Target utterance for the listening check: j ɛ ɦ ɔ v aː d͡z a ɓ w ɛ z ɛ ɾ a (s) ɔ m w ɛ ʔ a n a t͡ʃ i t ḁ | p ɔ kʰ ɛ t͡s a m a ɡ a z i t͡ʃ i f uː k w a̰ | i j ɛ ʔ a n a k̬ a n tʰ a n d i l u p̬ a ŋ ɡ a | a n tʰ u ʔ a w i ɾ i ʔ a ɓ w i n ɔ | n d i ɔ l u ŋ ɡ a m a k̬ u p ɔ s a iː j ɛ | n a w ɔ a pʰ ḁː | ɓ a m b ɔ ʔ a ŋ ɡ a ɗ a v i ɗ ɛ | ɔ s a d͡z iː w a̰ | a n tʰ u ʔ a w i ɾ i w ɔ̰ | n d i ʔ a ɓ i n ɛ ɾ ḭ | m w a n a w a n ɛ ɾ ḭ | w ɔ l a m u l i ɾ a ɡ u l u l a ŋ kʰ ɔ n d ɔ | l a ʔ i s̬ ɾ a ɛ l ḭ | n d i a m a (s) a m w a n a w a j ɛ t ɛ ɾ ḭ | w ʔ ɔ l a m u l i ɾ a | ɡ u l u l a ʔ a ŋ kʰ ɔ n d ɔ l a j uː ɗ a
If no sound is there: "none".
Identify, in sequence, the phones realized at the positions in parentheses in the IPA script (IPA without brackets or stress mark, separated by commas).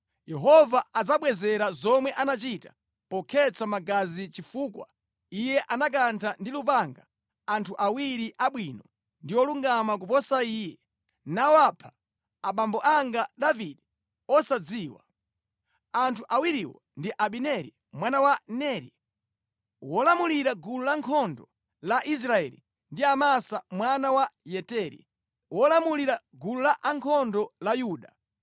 z, s